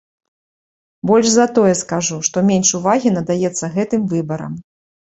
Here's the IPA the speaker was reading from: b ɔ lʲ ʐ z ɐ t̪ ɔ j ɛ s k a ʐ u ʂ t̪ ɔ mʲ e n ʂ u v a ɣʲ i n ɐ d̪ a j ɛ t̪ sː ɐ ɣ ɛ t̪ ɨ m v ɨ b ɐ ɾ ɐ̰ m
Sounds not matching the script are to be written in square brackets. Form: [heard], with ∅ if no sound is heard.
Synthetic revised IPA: b ɔ lʲ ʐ z ɐ t̪ ɔ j ɛ s k a ʐ u ʂ t̪ ɔ mʲ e n ʂ u v a ɣʲ i n ɐ d̪ a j ɛ t̪ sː ɐ ɣ ɛ t̪ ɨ m v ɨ b ɐ ɾ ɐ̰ m